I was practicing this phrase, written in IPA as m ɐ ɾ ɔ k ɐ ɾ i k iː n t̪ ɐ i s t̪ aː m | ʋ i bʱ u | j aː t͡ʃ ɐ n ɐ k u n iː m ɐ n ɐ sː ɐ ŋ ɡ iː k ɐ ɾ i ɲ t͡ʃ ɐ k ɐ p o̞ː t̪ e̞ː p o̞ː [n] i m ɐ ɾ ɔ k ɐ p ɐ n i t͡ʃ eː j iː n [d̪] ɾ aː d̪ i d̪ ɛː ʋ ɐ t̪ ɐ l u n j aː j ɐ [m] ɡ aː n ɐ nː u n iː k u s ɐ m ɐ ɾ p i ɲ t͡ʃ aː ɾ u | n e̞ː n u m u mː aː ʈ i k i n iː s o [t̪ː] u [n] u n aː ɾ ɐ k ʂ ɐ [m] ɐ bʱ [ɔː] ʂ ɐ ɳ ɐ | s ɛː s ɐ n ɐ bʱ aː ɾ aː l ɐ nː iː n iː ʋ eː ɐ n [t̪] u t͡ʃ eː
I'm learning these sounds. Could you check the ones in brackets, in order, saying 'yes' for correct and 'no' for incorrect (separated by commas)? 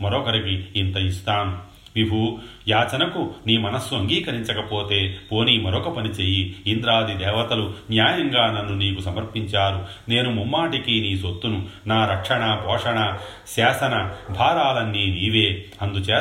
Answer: yes, yes, no, yes, yes, no, yes, no